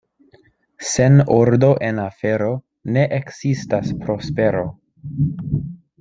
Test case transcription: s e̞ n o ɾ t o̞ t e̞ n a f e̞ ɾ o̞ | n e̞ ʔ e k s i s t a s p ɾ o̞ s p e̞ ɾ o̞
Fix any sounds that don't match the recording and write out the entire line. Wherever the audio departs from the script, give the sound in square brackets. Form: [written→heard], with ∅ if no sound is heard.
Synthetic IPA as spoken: s e̞ n o ɾ [t→d] o̞ [t→ʔ] e̞ n a f e̞ ɾ o̞ | n e̞ ʔ e k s i s t a s p ɾ o̞ s p e̞ ɾ o̞